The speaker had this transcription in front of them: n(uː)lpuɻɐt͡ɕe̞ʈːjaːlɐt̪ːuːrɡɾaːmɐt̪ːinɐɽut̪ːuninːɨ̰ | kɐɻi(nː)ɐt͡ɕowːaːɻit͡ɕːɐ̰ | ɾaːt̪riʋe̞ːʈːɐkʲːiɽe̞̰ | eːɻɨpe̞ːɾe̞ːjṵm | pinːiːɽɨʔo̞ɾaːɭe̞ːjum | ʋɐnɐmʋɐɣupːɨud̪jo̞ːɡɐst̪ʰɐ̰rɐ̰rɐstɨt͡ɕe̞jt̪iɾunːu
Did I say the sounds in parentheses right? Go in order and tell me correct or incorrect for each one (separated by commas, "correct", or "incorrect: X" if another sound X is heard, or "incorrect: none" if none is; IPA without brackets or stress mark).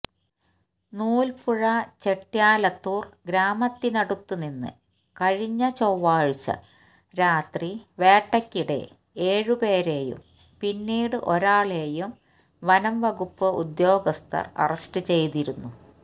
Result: correct, incorrect: ɲː